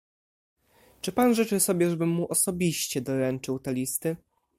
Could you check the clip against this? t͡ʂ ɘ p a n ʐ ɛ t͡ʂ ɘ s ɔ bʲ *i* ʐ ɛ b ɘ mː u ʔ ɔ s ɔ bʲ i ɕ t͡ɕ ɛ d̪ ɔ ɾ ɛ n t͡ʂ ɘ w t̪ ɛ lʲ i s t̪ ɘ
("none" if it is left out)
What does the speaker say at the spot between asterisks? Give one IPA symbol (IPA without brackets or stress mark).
ɛ